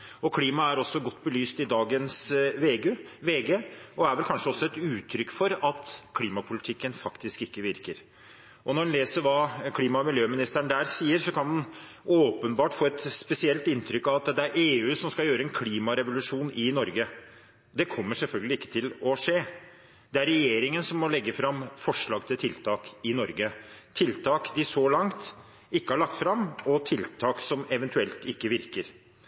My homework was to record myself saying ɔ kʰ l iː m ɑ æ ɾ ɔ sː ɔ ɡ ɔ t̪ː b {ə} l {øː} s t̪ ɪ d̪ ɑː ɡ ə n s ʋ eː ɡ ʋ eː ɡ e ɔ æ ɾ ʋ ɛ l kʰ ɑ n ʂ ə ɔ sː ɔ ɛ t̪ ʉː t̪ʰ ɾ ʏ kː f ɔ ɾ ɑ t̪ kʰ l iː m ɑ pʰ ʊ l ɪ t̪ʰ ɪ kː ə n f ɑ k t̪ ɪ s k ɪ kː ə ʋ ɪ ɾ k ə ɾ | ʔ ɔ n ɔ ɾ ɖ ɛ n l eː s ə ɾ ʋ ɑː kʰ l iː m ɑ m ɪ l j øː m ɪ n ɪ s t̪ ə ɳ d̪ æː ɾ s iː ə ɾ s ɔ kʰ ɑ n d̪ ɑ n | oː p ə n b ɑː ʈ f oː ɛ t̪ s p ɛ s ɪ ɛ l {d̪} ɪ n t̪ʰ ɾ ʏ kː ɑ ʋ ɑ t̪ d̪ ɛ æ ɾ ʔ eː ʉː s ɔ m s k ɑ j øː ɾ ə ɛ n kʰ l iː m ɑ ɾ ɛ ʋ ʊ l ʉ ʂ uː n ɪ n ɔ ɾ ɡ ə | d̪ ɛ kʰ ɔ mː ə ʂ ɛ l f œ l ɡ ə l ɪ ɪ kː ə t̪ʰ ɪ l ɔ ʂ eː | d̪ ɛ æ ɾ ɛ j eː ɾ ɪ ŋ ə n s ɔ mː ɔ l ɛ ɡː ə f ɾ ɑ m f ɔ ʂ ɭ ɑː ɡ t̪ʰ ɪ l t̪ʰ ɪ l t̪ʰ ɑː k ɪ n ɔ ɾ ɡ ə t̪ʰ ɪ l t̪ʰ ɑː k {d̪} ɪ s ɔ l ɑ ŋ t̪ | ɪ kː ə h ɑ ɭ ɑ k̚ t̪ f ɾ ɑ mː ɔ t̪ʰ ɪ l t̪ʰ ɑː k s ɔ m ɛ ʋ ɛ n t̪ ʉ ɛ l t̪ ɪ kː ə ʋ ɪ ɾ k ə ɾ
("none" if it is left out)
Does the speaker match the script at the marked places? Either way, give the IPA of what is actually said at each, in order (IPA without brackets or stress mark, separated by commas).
ə, yː, t̪, d̪